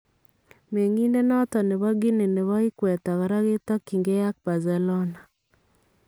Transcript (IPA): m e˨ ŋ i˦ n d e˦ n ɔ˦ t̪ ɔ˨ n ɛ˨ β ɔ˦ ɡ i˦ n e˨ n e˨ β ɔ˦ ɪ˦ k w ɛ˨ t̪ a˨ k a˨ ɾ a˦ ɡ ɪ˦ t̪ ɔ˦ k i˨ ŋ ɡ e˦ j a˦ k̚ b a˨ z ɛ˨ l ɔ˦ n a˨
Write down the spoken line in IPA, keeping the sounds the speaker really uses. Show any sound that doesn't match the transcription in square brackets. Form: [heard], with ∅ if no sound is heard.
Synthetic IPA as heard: m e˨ ŋ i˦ n d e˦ n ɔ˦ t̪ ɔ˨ n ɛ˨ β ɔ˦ ɡ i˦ n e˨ n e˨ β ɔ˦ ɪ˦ k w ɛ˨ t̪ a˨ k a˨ ɾ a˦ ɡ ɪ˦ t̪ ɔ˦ k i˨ ŋ ɡ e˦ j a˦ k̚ b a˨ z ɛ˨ l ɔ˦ n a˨